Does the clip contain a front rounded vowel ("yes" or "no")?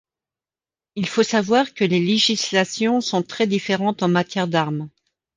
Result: no